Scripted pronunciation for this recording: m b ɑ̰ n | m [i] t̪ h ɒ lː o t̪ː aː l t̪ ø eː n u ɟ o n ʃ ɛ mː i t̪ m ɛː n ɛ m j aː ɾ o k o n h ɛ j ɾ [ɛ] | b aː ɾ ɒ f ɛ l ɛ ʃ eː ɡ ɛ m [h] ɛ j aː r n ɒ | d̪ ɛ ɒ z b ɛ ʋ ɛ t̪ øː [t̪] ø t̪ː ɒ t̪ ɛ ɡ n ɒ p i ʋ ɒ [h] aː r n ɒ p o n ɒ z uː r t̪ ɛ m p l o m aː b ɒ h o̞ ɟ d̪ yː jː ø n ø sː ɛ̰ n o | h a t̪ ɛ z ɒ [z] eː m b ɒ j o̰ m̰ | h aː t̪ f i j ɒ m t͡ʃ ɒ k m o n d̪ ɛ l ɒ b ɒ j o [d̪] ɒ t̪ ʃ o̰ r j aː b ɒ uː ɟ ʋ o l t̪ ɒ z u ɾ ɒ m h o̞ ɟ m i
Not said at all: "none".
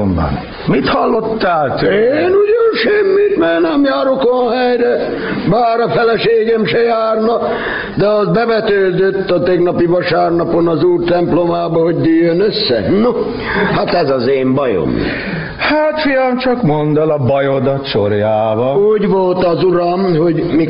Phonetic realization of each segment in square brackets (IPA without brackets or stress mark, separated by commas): i, ɛ, ʃ, d̪, ʃ, z, d̪